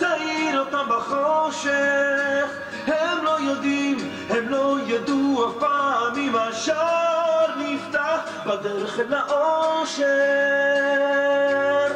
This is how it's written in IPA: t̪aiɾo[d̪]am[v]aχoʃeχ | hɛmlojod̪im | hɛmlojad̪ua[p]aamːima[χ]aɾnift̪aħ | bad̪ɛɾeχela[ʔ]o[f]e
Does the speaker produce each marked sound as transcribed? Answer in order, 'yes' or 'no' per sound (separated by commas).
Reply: no, no, yes, no, yes, no